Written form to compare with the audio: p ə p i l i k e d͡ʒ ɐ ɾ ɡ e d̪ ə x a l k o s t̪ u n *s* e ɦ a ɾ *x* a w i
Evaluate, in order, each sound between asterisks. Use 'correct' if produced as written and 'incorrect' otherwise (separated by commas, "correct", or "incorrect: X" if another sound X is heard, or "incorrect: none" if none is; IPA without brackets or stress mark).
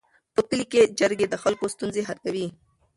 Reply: incorrect: z, incorrect: k